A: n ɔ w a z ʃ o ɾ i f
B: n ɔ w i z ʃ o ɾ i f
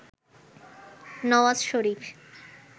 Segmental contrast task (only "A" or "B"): A